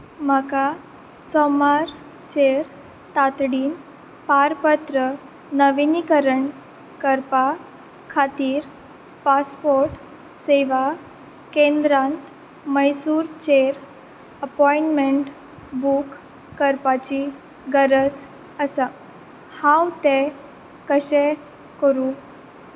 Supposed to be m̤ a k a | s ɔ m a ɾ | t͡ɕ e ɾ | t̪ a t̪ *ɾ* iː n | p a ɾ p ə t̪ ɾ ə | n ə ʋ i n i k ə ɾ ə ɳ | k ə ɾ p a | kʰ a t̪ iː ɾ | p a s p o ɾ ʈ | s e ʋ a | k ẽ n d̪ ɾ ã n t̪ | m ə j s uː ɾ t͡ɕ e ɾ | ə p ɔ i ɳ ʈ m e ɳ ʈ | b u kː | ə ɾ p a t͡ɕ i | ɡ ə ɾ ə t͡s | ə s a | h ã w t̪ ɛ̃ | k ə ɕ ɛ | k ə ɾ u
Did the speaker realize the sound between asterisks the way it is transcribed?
no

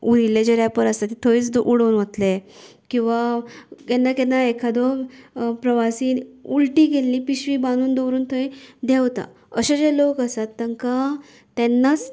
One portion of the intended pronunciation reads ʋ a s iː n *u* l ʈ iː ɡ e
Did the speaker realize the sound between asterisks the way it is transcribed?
yes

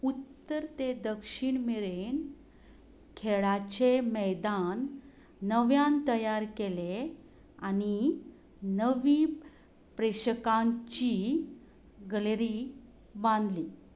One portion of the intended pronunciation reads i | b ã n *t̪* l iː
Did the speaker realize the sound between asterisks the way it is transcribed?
no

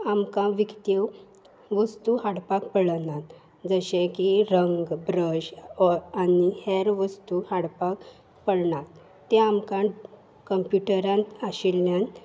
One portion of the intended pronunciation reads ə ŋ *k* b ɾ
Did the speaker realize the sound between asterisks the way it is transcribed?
no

